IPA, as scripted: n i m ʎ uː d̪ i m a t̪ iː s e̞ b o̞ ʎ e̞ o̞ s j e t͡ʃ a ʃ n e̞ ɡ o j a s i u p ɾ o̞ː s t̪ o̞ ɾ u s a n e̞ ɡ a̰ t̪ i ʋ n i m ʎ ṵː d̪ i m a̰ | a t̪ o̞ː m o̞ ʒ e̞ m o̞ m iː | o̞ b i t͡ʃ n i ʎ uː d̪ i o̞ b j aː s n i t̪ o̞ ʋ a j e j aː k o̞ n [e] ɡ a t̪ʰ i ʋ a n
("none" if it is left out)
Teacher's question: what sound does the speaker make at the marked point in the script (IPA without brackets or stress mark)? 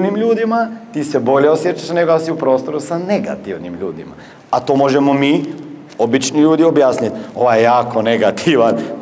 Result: e